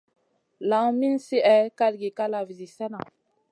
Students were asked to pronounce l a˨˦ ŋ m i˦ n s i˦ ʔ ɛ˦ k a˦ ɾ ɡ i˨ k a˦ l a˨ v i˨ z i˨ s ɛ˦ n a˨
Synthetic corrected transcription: l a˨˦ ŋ m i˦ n s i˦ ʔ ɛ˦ k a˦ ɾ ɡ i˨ k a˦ l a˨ v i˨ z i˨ s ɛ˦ n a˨